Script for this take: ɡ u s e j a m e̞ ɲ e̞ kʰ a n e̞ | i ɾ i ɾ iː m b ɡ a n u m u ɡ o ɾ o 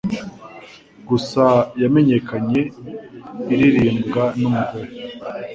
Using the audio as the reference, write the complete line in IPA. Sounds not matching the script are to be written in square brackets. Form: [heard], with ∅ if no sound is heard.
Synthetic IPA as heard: ɡ u s [a] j a m e̞ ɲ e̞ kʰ a [ɲ] e̞ | i ɾ i ɾ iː m b ɡ a n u m u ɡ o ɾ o